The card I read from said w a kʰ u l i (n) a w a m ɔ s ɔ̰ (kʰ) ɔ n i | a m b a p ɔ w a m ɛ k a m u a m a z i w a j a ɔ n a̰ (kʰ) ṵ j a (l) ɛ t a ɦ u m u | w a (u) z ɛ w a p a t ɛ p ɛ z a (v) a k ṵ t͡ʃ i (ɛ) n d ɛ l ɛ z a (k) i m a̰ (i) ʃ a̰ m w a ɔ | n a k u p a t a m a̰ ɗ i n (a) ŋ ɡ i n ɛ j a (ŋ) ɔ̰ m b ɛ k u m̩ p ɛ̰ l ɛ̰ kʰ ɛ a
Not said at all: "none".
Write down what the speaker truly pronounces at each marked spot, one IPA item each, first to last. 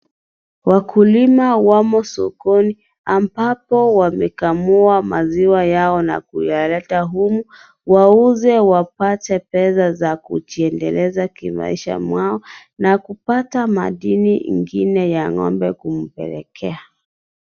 m, k, k, l, u, z, ɛ, k, i, i, ŋ

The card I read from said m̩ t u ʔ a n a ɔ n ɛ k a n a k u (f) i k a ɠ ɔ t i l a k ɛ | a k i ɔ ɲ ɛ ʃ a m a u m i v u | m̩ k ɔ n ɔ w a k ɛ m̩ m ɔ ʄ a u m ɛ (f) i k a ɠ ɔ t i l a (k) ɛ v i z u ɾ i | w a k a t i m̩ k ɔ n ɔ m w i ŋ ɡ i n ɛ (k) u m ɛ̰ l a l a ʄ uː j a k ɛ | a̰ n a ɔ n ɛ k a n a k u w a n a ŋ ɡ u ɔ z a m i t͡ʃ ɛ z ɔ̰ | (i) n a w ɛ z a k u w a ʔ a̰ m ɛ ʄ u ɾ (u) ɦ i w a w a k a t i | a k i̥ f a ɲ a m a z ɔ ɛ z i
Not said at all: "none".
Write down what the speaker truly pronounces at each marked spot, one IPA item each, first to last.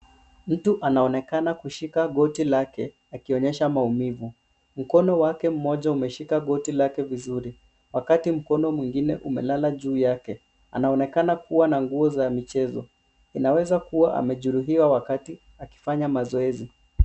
ʃ, ʃ, k, ʔ, i, u

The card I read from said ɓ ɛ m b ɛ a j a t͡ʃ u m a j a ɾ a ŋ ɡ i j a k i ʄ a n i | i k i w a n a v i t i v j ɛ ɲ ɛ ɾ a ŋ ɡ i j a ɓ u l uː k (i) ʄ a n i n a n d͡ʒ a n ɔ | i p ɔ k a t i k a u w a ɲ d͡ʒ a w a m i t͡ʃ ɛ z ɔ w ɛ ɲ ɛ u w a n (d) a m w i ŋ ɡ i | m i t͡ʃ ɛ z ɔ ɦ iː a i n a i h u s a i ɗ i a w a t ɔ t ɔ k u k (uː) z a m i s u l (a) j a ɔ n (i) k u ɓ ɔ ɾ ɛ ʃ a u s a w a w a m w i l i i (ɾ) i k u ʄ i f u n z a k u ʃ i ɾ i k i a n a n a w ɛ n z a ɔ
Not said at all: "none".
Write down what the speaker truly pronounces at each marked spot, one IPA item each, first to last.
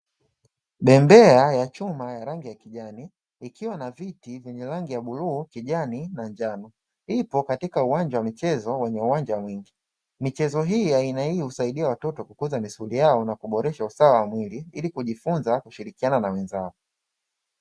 i, d͡ʒ, u, i, a, l

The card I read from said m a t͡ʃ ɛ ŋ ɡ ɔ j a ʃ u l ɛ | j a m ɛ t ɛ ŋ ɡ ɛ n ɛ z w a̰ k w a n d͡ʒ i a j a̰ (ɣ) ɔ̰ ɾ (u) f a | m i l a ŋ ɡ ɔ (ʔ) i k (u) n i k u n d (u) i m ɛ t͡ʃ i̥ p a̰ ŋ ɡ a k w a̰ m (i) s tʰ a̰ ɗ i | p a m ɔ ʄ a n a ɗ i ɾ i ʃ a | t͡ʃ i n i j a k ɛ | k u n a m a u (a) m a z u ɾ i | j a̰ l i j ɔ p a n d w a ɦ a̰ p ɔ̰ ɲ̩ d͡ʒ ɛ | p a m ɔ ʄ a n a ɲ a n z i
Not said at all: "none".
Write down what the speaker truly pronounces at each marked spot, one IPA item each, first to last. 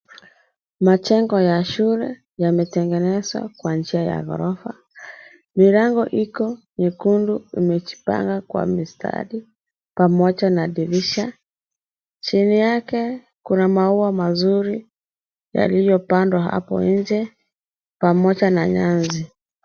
ɣ, ɔ, ʔ, ɔ, u, i, a

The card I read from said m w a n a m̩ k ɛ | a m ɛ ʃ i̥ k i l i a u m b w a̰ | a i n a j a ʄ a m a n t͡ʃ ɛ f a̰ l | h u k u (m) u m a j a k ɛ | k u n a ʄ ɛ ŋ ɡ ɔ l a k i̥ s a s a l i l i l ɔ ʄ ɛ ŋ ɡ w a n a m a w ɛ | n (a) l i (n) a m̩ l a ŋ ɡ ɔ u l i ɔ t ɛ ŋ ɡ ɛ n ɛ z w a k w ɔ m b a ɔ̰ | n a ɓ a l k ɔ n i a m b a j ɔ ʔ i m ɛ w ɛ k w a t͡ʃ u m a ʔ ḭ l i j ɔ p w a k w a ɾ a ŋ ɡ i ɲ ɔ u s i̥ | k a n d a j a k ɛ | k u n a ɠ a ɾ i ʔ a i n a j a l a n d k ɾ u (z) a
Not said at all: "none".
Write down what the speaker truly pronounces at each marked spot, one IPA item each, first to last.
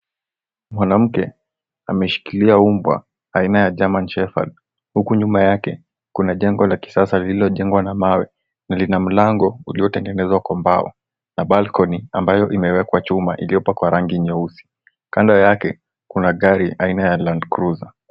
ɲ, a, n, z

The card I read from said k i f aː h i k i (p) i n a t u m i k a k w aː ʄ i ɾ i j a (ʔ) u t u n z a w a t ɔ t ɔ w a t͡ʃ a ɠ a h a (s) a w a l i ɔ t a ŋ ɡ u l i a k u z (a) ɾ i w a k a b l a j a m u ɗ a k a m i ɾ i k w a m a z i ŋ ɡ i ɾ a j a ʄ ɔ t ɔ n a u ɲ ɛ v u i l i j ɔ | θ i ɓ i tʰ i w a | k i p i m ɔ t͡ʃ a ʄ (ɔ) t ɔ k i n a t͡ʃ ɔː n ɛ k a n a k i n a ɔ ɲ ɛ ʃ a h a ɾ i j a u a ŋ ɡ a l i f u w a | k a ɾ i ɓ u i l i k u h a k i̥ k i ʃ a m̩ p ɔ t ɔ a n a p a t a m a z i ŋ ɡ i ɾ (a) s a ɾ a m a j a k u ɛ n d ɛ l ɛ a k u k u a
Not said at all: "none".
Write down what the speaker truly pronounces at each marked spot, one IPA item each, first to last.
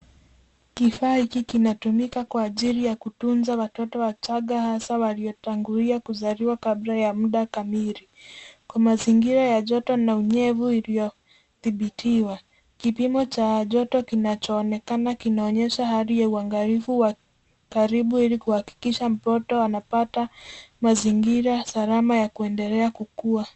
k, k, s, a, ɔ, a

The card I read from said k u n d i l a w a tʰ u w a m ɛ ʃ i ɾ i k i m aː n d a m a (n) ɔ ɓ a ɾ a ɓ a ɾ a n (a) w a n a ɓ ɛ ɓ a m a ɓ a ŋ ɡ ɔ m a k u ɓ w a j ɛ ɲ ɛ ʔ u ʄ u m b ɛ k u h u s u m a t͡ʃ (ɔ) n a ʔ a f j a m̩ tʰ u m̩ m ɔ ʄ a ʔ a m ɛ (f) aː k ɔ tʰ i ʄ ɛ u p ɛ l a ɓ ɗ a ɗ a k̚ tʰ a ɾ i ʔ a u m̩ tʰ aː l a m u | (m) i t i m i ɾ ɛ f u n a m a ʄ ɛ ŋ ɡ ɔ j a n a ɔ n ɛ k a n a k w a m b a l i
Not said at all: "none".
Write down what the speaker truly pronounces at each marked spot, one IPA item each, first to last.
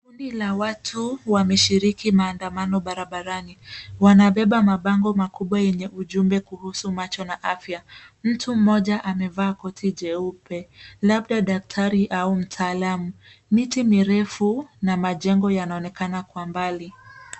n, i, ɔ, v, m

